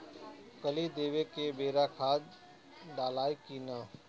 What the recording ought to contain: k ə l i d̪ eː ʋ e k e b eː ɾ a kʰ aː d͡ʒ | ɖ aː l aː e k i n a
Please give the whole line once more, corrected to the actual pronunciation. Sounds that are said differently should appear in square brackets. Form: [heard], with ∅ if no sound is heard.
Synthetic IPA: k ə l i d̪ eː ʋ e k e b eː ɾ a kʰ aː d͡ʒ | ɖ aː l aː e k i n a